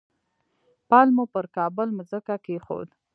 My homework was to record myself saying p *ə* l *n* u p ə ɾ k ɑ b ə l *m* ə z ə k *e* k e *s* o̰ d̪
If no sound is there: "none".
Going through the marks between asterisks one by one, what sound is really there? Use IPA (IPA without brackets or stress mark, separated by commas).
ɑ, m, m, a, x